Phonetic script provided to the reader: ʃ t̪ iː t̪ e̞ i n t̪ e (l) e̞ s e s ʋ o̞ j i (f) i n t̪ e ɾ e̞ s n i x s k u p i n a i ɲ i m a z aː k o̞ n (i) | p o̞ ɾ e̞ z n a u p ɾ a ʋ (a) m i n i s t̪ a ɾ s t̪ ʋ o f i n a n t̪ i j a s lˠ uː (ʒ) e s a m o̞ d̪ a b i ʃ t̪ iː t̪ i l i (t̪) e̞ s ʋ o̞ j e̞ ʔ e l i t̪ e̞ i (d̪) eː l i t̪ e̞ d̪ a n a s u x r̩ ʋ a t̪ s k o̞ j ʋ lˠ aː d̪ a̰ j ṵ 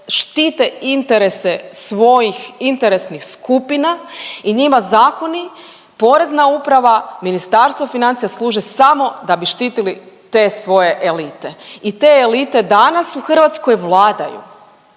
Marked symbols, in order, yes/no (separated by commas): no, no, yes, yes, yes, yes, no